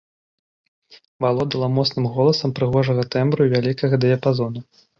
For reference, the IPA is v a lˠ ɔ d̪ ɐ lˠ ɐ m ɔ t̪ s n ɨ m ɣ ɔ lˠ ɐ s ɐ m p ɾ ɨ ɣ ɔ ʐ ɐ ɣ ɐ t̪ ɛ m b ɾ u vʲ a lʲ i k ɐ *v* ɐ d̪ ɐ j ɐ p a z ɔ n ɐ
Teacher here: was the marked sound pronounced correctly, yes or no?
no